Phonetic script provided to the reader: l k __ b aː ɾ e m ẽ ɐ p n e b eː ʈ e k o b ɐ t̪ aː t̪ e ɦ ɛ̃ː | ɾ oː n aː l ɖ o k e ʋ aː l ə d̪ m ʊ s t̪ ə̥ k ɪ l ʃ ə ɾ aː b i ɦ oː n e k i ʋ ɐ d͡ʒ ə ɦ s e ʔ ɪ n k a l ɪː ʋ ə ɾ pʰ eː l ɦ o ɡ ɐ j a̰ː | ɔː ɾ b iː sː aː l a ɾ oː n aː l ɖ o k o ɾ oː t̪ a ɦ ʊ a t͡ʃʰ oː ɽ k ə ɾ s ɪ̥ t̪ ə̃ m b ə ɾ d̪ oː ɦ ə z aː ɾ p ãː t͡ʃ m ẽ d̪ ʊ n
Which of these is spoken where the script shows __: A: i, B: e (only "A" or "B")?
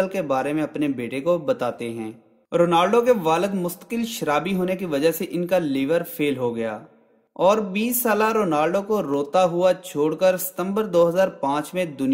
B